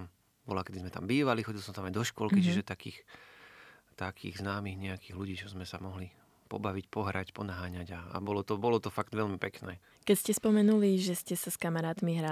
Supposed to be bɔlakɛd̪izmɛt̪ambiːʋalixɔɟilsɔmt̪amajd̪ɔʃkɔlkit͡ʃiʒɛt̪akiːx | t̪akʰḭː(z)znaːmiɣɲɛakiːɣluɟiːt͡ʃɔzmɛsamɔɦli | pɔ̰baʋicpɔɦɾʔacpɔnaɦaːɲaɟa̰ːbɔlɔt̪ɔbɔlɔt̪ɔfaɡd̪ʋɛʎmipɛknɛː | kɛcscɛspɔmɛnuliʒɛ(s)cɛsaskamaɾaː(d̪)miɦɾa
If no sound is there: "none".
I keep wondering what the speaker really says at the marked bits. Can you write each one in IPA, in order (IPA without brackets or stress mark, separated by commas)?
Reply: ɣ, s, t̪